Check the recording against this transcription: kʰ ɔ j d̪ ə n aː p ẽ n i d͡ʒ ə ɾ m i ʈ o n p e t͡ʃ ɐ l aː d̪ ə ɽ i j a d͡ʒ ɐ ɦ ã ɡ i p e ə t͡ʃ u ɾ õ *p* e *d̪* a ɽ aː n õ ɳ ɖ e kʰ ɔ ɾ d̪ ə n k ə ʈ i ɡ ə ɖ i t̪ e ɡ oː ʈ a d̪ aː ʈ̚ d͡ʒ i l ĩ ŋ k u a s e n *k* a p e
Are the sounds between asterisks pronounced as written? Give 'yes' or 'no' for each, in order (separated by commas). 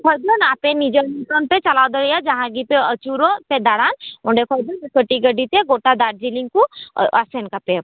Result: yes, yes, yes